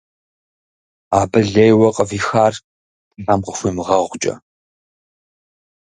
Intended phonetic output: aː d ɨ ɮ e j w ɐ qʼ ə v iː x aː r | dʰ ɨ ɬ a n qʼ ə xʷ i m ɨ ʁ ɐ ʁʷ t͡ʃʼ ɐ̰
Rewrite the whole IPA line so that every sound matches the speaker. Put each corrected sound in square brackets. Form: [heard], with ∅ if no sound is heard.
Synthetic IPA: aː [b] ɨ ɮ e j w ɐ qʼ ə v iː x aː r | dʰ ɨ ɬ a [m] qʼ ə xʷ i m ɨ ʁ ɐ ʁʷ t͡ʃʼ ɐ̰